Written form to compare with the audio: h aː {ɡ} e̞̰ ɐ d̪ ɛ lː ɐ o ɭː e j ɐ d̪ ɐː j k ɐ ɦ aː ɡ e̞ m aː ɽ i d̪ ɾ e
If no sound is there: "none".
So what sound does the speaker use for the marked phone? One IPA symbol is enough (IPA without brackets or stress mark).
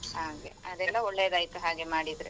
ɡ